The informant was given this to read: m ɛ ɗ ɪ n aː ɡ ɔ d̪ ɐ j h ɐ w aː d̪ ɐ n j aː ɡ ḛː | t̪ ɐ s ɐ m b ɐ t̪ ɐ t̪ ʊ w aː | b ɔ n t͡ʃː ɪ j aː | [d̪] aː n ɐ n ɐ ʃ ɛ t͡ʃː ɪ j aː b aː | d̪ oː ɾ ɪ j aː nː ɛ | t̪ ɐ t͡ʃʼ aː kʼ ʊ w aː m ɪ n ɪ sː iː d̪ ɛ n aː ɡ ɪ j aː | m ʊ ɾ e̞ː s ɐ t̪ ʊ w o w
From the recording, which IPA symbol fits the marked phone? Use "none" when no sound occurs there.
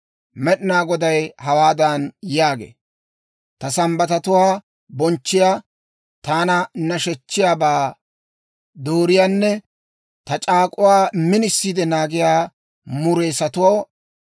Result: t̪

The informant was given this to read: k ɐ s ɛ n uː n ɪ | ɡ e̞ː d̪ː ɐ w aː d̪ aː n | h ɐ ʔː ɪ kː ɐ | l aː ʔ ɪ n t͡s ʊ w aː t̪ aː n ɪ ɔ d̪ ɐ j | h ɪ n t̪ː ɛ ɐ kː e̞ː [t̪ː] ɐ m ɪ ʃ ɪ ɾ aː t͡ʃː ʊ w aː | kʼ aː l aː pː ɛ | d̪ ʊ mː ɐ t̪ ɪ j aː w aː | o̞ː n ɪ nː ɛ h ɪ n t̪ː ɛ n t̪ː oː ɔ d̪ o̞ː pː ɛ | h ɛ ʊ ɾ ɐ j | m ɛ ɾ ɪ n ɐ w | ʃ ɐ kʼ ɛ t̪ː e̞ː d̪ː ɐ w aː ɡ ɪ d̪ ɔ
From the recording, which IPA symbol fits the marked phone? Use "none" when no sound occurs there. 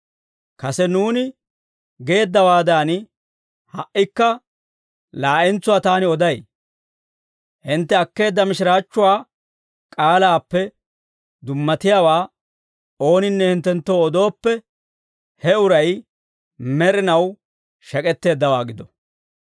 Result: d̪ː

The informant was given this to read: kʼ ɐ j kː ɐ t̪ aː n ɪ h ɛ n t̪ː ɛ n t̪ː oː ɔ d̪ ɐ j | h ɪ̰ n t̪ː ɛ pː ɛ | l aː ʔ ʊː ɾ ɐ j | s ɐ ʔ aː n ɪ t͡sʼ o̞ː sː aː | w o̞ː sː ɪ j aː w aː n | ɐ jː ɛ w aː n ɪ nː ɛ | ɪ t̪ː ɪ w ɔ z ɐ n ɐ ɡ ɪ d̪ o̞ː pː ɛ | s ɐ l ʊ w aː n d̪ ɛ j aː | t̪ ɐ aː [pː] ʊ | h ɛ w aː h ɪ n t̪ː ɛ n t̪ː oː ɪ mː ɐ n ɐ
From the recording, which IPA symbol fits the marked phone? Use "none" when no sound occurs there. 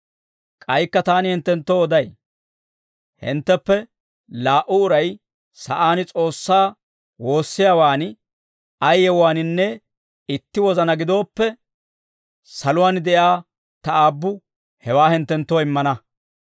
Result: bː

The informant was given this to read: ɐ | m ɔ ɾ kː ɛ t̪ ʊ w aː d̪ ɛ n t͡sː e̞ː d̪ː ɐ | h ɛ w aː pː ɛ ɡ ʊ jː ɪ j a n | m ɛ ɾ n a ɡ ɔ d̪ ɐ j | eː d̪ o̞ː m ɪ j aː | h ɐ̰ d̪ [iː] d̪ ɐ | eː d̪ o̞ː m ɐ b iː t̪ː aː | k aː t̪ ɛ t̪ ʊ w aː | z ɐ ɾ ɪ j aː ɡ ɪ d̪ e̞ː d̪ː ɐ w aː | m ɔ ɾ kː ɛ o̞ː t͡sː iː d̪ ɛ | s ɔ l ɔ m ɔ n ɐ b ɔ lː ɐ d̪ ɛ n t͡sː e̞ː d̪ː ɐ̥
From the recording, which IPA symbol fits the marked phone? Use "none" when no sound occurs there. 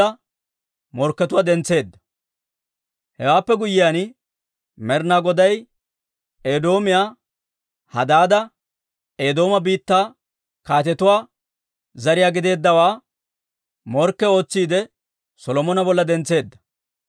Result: aː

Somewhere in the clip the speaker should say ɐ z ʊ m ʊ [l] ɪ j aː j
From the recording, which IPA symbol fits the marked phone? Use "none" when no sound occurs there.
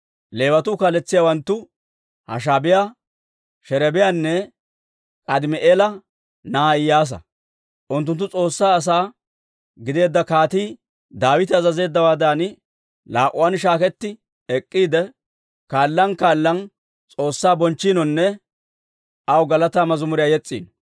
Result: ɾ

